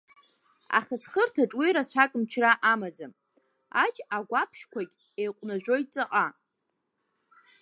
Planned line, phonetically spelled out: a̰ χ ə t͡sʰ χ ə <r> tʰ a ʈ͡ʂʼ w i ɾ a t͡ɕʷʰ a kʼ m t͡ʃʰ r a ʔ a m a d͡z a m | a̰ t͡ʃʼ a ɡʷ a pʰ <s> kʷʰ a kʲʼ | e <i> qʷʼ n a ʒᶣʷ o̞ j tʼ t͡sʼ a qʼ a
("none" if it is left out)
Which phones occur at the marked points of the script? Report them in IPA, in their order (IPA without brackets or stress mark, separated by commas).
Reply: r, ʃ, j